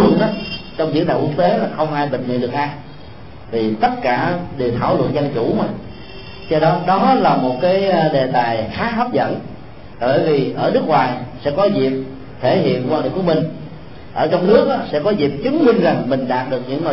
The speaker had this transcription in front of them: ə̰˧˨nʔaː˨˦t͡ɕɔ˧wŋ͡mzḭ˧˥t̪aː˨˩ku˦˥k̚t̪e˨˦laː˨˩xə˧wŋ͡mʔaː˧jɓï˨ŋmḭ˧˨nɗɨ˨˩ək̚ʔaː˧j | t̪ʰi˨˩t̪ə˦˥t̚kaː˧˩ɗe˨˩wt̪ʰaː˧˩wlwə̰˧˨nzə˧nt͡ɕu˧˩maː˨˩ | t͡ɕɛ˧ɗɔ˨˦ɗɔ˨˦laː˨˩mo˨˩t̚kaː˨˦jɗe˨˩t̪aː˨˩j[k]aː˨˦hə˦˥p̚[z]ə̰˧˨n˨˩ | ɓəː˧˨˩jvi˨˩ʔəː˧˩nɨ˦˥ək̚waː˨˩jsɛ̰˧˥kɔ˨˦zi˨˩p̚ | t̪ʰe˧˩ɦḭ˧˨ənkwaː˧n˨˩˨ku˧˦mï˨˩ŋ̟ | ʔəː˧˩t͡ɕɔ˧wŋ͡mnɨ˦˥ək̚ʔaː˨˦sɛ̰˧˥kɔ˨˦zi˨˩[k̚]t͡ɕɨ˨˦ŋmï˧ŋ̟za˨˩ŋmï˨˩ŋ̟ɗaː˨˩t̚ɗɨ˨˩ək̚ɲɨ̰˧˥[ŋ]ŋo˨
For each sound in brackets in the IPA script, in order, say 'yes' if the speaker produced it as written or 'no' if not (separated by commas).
no, yes, no, yes